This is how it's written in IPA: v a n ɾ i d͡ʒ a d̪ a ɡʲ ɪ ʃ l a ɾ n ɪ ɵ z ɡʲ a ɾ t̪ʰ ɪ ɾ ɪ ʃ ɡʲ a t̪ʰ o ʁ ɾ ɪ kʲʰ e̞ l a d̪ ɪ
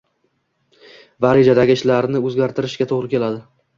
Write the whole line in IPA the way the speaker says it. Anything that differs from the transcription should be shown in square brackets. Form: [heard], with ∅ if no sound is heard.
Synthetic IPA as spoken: v a [∅] ɾ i d͡ʒ a d̪ a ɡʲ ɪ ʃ l a ɾ n ɪ ɵ z ɡʲ a ɾ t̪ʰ ɪ ɾ ɪ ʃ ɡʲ a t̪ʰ o ʁ ɾ ɪ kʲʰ e̞ l a d̪ ɪ